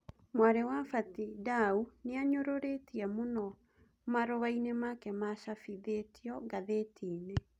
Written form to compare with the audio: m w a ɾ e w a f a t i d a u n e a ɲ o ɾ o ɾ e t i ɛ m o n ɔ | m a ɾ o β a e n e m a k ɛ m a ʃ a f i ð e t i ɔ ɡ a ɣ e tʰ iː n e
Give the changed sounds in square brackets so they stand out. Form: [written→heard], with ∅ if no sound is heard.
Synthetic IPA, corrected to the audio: m w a ɾ e w a f a t i d a u n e a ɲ o ɾ o ɾ e t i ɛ m o n ɔ | m a ɾ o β a [e→i] n e m a k ɛ m a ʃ a f i ð e t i ɔ ɡ a [ɣ→ð] e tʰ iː n e